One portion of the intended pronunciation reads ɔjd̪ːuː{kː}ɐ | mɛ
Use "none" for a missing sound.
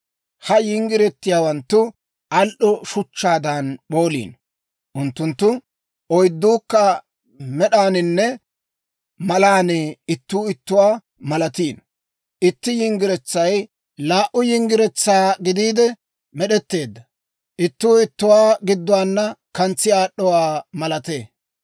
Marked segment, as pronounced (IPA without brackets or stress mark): kː